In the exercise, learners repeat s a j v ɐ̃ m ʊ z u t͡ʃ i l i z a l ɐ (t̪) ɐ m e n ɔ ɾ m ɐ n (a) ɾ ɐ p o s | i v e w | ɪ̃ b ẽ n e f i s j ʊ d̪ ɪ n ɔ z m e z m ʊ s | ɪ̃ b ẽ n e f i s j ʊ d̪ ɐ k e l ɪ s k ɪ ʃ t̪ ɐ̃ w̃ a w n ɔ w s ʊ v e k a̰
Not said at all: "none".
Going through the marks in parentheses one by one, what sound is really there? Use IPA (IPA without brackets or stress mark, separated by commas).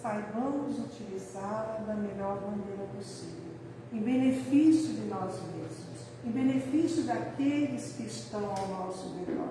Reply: d̪, e